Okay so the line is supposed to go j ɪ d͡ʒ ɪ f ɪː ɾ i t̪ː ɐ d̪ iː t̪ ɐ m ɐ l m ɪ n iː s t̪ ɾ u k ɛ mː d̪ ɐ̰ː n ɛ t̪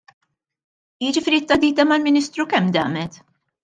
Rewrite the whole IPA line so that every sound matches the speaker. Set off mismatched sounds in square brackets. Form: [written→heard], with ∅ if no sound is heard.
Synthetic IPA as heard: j ɪ d͡ʒ ɪ f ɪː ɾ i t̪ː ɐ d̪ iː t̪ ɐ m ɐ l m ɪ n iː s t̪ ɾ u k ɛ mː d̪ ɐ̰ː [n→m] ɛ t̪

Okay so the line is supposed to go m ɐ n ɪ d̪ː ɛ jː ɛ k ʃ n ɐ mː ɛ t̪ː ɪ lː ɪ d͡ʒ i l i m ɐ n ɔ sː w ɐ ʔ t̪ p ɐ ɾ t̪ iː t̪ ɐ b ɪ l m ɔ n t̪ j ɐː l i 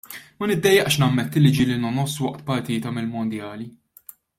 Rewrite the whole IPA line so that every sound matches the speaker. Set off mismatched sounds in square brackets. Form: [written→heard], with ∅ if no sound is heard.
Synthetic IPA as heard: m ɐ n ɪ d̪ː ɛ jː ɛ [k→ʔ] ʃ n ɐ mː ɛ t̪ː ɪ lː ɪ d͡ʒ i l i [m→n] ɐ n ɔ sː w ɐ ʔ t̪ p ɐ ɾ t̪ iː t̪ ɐ [b→m] ɪ l m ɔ n [t̪→d̪] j ɐː l i

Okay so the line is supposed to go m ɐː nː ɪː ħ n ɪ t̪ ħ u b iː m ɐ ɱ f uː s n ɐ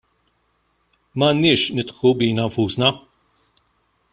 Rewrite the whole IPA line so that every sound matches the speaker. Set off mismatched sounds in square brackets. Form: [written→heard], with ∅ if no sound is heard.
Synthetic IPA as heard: m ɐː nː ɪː [ħ→ʃ] n ɪ t̪ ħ u b iː [m→n] ɐ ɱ f uː s n ɐ

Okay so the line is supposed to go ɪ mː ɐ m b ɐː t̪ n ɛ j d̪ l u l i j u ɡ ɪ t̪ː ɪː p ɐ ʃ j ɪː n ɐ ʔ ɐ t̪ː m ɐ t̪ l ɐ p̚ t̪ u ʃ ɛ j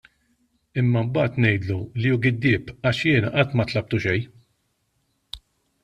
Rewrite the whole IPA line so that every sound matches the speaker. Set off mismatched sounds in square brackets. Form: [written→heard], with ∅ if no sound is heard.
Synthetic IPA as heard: ɪ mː ɐ m b ɐː t̪ n ɛ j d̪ l u l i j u ɡ ɪ [t̪ː→d̪ː] ɪː p ɐ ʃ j ɪː n ɐ ʔ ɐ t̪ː m ɐ t̪ l ɐ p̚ t̪ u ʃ ɛ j

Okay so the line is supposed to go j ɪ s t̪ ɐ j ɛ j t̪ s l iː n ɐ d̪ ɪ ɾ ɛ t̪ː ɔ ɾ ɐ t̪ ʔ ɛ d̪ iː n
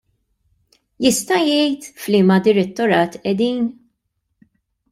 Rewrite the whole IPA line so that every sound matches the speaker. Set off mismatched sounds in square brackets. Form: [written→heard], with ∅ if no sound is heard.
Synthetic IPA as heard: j ɪ s t̪ ɐ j ɛ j t̪ [s→f] l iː [n→m] ɐ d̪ ɪ ɾ ɛ t̪ː ɔ ɾ [ɐ→ɐː] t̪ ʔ ɛ d̪ iː n

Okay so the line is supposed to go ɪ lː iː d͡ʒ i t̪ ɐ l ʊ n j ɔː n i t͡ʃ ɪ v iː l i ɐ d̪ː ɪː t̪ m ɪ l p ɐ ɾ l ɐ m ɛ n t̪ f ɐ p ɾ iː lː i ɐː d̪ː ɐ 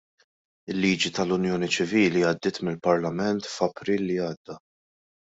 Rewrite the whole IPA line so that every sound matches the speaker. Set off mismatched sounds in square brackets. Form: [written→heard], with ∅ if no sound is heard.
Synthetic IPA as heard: ɪ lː iː d͡ʒ i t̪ ɐ l ʊ n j ɔː n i t͡ʃ ɪ v iː l i ɐ d̪ː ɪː t̪ m ɪ l p ɐ ɾ l ɐ m ɛ n t̪ f ɐ p ɾ iː lː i ɐː d̪ː ɐ

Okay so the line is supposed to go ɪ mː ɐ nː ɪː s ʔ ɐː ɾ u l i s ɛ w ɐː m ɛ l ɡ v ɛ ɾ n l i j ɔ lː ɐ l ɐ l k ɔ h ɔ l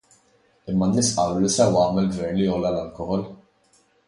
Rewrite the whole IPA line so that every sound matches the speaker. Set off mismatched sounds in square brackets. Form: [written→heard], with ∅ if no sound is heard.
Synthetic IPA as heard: ɪ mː ɐ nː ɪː s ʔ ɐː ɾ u l i s ɛ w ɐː m ɛ l ɡ v ɛ ɾ n l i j ɔ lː ɐ l ɐ l k ɔ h ɔ l

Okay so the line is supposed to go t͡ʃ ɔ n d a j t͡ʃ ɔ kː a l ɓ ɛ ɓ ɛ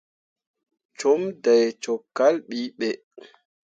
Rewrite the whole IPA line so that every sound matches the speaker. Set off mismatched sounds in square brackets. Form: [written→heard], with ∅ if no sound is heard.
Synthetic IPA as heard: t͡ʃ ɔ [n→m] d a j t͡ʃ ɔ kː a l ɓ [ɛ→i] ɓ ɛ

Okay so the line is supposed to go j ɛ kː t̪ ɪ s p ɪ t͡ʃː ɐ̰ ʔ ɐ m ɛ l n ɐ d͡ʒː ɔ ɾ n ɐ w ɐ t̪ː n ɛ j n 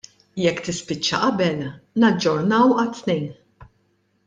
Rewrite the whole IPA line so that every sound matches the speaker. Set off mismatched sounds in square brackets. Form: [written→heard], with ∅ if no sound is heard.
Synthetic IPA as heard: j ɛ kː t̪ ɪ s p ɪ t͡ʃː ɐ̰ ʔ ɐ [m→b] ɛ l n ɐ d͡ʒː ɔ ɾ n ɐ w ɐ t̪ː n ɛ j n

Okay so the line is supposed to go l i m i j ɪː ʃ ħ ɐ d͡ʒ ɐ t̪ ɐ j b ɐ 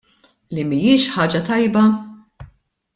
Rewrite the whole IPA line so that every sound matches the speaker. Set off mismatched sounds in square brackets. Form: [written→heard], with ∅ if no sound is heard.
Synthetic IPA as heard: l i m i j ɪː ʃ ħ [ɐ→ɐː] d͡ʒ ɐ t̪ ɐ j b ɐ

